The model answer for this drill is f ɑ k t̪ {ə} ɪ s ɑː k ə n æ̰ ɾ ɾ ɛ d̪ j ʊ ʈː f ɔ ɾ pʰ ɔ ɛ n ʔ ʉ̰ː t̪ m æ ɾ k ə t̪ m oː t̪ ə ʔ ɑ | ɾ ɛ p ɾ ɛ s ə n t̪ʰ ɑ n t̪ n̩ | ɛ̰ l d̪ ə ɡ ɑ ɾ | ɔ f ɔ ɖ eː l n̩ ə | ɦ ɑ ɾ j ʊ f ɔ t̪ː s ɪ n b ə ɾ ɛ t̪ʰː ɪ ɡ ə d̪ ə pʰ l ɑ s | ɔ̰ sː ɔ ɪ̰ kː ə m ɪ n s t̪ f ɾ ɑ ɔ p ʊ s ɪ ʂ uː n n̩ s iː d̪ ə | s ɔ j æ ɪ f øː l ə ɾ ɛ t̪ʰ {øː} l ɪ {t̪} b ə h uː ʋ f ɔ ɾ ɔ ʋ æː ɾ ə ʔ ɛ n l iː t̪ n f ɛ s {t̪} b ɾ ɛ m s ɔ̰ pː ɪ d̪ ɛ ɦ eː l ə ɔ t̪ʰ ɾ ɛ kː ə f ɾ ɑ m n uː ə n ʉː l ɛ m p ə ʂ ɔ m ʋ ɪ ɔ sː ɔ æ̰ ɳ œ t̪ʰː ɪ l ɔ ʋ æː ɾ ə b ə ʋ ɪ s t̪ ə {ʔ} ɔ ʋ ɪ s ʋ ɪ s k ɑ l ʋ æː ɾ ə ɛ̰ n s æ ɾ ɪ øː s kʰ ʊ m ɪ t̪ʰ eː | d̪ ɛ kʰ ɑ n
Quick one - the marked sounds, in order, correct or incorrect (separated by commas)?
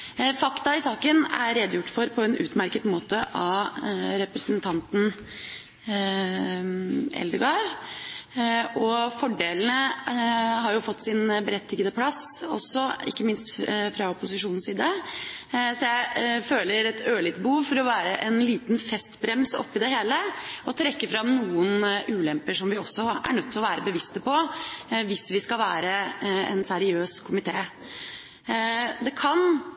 incorrect, correct, correct, correct, incorrect